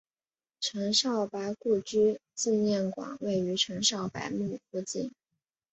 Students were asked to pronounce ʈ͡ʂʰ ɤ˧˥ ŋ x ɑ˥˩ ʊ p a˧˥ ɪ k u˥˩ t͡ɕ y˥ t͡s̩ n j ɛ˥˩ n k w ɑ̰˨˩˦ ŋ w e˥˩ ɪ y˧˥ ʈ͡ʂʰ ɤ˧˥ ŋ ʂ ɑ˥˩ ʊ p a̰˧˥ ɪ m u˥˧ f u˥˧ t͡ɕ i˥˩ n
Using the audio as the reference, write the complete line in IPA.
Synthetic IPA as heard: ʈ͡ʂʰ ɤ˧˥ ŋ ʂ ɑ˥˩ ʊ p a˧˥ ɪ k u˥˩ t͡ɕ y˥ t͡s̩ n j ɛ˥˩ n k w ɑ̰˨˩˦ ŋ w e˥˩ ɪ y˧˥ ʈ͡ʂʰ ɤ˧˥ ŋ ʂ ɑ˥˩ ʊ p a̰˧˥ ɪ m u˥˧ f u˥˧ t͡ɕ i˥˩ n